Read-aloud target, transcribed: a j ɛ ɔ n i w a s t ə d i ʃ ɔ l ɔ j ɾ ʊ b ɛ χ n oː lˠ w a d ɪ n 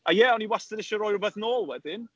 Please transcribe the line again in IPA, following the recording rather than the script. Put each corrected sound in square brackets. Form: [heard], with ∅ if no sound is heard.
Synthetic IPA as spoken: a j ɛ ɔ n i w a s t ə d [ɪ] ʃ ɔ [ɾ] ɔ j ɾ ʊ b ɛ [θ] n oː lˠ w [ɛ] d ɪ n